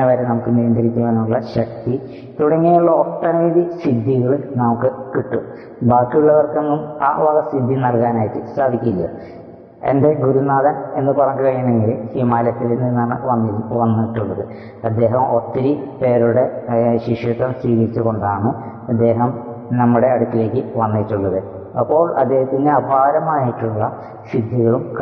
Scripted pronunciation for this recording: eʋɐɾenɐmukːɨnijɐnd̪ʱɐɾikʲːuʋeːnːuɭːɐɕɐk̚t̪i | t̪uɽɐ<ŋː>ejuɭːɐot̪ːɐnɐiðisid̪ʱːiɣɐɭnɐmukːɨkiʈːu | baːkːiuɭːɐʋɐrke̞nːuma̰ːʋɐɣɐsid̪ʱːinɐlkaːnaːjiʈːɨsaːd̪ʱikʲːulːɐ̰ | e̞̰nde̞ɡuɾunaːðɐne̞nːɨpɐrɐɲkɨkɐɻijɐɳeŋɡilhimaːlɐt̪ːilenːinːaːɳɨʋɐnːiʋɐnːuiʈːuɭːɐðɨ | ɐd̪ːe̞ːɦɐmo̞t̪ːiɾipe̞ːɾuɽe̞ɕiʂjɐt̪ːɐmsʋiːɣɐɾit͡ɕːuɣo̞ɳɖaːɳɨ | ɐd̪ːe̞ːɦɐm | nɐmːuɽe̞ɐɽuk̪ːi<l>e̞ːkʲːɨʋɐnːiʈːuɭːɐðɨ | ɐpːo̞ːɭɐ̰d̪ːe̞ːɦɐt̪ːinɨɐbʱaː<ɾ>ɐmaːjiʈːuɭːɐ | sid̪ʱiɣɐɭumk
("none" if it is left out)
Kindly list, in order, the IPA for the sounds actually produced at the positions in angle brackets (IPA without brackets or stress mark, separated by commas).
ŋː, l, ɾ